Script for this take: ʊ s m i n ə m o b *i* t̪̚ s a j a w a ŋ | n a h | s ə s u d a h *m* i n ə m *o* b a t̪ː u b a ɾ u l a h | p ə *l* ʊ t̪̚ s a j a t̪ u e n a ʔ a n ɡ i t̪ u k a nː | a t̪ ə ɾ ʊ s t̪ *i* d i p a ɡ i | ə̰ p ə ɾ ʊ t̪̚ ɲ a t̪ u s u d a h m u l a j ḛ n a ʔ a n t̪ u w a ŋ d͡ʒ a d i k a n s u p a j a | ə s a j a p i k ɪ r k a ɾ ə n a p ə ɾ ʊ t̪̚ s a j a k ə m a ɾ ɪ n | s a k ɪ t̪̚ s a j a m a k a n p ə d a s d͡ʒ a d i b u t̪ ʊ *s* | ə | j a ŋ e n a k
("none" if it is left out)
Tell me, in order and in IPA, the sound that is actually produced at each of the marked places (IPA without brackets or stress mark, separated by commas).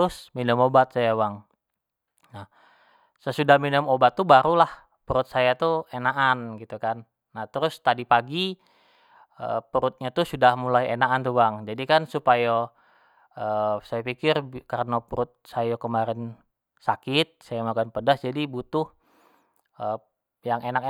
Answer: a, m, o, ɾ, a, h